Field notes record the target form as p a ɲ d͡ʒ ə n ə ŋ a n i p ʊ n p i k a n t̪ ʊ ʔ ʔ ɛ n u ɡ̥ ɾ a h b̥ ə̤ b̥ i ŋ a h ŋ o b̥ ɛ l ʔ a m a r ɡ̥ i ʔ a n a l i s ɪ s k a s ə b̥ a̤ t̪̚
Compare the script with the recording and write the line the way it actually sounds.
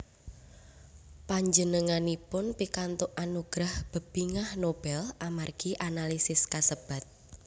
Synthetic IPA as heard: p a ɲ d͡ʒ ə n ə ŋ a n i p ʊ n p i k a n t̪ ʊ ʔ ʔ a n u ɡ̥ ɾ a h b̥ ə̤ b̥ i ŋ a h n o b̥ ɛ l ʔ a m a r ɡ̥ i ʔ a n a l i s ɪ s k a s ə b̥ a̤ t̪̚

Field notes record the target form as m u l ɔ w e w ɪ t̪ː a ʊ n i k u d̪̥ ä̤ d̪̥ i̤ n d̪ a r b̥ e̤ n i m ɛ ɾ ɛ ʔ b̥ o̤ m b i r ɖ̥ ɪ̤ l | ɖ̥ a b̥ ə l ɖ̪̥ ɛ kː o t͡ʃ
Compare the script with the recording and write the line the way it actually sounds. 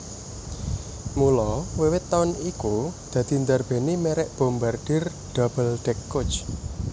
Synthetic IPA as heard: m u l ɔ w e w ɪ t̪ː a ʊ n i k u d̪̥ ä̤ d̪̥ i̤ n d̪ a r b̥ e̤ n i m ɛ ɾ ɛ ʔ b̥ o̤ m b a r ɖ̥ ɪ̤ r | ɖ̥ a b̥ ə l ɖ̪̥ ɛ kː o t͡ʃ

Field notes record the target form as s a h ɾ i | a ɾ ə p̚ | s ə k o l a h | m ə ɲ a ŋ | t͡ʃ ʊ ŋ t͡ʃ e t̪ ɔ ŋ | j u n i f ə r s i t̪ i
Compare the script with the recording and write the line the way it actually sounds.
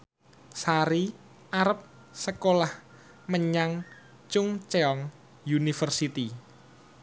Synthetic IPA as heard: s a ɾ i | a ɾ ə p̚ | s ə k o l a h | m ə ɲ a ŋ | t͡ʃ ʊ ŋ t͡ʃ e ɔ ŋ | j u n i f ə r s i t̪ i

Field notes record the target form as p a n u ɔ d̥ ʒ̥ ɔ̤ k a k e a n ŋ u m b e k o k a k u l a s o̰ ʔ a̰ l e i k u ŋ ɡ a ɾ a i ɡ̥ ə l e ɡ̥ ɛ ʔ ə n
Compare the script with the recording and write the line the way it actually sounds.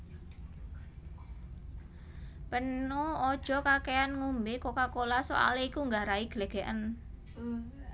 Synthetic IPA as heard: p ə n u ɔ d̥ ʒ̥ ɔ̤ k a k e a n ŋ u m b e k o k a k o l a s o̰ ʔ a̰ l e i k u ŋ ɡ a ɾ a i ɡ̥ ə l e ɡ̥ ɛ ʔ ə n

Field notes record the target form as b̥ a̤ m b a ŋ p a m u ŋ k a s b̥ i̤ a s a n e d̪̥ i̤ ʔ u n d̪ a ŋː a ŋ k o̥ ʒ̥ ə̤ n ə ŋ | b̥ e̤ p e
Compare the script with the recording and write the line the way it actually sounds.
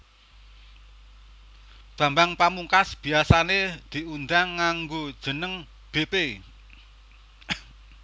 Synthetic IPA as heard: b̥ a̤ m b a ŋ p a m u ŋ k a s b̥ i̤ a s a n e d̪̥ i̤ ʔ u n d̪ a ŋː a ŋ ɡ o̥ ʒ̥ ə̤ n ə ŋ | b̥ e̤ p e

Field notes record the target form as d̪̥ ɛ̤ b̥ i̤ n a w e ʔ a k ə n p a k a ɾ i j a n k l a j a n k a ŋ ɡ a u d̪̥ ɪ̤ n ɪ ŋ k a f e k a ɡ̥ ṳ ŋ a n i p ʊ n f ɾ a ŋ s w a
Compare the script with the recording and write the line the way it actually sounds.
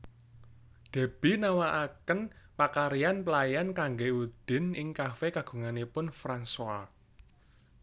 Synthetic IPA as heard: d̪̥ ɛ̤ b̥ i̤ n a w a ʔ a k ə n p a k a ɾ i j a n p l a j a n k a ŋ ɡ e u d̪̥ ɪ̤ n ɪ ŋ k a f e k a ɡ̥ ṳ ŋ a n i p ʊ n f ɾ a n s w a

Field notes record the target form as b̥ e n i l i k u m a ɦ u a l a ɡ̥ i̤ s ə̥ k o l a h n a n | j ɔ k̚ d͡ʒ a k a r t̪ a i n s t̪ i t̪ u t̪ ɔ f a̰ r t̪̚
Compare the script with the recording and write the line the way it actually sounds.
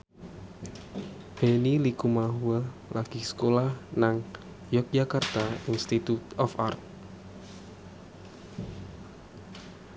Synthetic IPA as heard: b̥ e n i l i k u m a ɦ u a l a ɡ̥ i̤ s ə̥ k o l a h n a ŋ | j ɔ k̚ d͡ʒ a k a r t̪ a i n s t̪ i t̪ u t̪ ɔ f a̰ r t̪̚

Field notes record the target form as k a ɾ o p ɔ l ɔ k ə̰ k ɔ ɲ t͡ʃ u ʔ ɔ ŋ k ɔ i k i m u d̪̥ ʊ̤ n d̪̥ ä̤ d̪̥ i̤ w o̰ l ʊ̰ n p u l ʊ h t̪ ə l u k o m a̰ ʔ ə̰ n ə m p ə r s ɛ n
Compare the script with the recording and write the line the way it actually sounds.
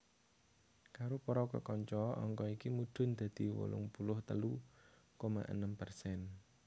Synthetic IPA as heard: k a ɾ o p ɔ ɾ ɔ k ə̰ k ɔ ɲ t͡ʃ ɔ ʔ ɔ ŋ k ɔ i k i m u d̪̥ ʊ̤ n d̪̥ ä̤ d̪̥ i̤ w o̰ l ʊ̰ ŋ p u l ʊ h t̪ ə l u k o m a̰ ʔ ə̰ n ə m p ə r s ɛ n

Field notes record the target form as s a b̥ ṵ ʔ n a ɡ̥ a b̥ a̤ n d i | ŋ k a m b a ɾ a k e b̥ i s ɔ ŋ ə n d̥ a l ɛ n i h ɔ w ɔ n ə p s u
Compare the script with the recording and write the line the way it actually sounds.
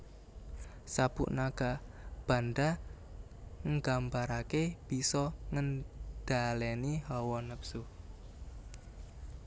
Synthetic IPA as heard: s a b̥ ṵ ʔ n a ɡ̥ a b̥ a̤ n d a | ŋ ɡ a m b a ɾ a k e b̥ i s ɔ ŋ ə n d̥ a l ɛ n i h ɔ w ɔ n ə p s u

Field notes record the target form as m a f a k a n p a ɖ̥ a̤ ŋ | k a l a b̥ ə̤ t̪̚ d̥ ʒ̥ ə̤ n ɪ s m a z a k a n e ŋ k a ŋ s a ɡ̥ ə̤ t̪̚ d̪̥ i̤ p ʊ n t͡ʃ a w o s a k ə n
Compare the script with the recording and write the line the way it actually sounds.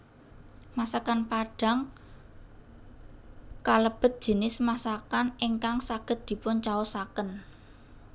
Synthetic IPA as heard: m a s a k a n p a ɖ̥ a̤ ŋ | k a l ə b̥ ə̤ t̪̚ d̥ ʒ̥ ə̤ n ɪ s m a s a k a n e ŋ k a ŋ s a ɡ̥ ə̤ t̪̚ d̪̥ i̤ p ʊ n t͡ʃ a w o s a k ə n

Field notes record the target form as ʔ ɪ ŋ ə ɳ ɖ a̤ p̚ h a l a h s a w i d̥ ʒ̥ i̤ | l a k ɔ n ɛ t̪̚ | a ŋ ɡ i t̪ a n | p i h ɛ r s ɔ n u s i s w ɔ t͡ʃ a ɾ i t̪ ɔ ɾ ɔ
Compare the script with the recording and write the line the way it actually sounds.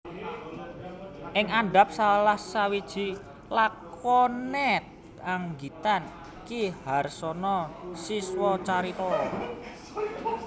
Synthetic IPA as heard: ʔ ɪ ŋ a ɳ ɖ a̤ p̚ s a l a h s a w i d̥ ʒ̥ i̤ | l a k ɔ n ɛ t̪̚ | a ŋ ɡ i t̪ a n | k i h a r s ɔ n ɔ s i s w ɔ t͡ʃ a ɾ i t̪ ɔ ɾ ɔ

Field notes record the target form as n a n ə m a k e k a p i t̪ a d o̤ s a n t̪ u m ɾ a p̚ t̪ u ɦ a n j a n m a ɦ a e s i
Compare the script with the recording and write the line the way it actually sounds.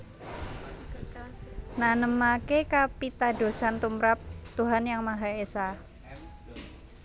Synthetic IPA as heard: n a n ə m a k e k a p i t̪ a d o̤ s a n t̪ u m ɾ a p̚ t̪ u ɦ a n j a ŋ m a ɦ a e s a

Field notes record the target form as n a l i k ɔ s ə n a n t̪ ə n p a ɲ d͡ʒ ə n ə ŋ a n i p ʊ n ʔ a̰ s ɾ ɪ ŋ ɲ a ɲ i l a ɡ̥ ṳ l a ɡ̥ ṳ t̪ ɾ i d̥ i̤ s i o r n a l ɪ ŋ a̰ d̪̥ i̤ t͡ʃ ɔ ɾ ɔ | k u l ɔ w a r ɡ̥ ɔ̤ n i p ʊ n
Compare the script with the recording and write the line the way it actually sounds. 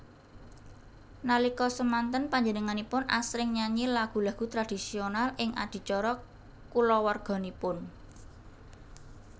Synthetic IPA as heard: n a l i k ɔ s ə m a n t̪ ə n p a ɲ d͡ʒ ə n ə ŋ a n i p ʊ n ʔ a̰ s ɾ ɪ ŋ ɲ a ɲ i l a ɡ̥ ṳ l a ɡ̥ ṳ t̪ ɾ a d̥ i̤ s i o n a l ɪ ŋ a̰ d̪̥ i̤ t͡ʃ ɔ ɾ ɔ | k u l ɔ w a r ɡ̥ ɔ̤ n i p ʊ n

